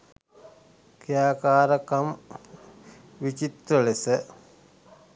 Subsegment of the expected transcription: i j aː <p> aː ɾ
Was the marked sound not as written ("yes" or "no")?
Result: yes